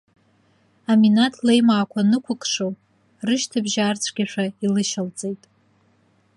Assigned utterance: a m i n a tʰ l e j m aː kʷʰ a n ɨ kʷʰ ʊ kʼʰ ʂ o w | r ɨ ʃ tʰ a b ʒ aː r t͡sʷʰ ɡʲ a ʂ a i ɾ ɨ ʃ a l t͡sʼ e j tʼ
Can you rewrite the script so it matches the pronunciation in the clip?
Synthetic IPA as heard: a m i n a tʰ l e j m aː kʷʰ a n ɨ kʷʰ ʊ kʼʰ ʂ o w | r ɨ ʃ tʰ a b ʒ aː r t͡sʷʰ ɡʲ a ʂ a i l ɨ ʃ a l t͡sʼ e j tʼ